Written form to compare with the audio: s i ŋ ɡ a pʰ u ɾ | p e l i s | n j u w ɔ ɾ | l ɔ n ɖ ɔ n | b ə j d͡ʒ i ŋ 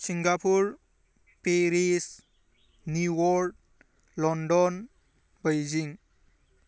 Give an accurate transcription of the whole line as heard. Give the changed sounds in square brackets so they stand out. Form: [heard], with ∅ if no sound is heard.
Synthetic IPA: s i ŋ ɡ a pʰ u ɾ | p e [ɾ] i s | n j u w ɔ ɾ | l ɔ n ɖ ɔ n | b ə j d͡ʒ i ŋ